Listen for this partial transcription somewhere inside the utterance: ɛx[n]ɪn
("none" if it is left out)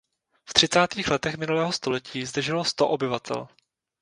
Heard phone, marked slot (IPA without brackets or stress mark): m